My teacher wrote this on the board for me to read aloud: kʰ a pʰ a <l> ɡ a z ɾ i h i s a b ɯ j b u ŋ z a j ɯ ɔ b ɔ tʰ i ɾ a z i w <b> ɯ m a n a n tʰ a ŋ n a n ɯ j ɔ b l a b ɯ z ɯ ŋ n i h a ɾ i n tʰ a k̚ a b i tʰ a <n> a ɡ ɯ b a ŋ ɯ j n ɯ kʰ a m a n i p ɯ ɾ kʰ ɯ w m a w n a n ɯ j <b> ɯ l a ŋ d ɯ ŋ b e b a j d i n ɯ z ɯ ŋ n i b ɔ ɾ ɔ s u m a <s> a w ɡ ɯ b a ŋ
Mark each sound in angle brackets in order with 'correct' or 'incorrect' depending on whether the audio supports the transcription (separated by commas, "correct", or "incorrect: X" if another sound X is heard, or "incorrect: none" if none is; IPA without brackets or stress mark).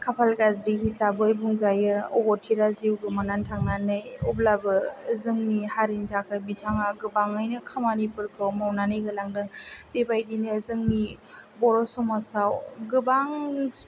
correct, incorrect: ɡ, incorrect: ŋ, incorrect: ɡ, correct